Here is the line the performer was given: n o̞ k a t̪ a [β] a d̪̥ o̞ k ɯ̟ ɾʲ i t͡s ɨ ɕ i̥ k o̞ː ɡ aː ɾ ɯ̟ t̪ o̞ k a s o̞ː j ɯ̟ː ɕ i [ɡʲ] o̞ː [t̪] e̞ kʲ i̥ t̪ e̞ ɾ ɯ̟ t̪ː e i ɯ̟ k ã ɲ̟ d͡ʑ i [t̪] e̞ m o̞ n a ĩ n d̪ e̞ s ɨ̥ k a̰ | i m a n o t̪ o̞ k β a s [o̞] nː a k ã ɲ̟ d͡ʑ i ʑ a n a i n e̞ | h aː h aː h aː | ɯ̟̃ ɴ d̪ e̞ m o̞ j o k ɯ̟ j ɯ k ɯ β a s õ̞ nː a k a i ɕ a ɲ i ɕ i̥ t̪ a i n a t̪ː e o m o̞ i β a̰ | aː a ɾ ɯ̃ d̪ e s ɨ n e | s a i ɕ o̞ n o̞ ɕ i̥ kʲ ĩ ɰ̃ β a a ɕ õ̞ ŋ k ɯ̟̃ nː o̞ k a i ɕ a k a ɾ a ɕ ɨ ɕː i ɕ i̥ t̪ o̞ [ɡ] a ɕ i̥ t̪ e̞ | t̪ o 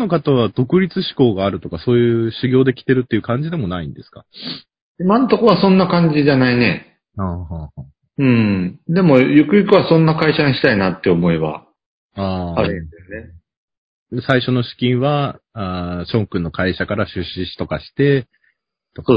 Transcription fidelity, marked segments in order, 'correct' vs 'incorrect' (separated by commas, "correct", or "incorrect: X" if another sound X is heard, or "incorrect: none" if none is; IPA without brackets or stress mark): correct, correct, incorrect: d̪, incorrect: d̪, incorrect: õ̞, incorrect: k